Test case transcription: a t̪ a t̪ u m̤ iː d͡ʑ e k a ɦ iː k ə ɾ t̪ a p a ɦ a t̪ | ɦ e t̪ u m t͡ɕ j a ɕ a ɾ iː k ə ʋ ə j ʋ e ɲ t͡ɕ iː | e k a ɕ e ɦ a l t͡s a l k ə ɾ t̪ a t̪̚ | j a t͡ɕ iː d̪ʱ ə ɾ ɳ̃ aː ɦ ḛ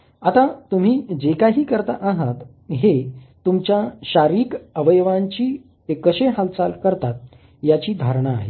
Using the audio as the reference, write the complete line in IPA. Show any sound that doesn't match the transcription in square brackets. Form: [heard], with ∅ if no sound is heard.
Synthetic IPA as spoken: a t̪ a t̪ u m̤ iː d͡ʑ e k a ɦ iː k ə ɾ t̪ a [ʔ] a ɦ a t̪ | ɦ e t̪ u m t͡ɕ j a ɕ a ɾ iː k ə ʋ ə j ʋ [a] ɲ t͡ɕ iː | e k [ə] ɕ e ɦ a l t͡s a l k ə ɾ t̪ a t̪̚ | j a t͡ɕ iː d̪ʱ [a] ɾ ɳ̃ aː ɦ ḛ